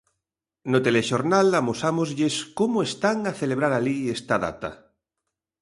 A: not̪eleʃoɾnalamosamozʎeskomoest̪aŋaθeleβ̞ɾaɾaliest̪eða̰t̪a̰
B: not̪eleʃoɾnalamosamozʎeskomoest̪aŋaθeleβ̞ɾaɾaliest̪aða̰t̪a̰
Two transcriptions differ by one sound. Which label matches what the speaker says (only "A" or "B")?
B